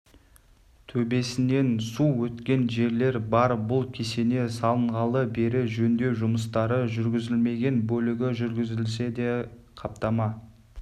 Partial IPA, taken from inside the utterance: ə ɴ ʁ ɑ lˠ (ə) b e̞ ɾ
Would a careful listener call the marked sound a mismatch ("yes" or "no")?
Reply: no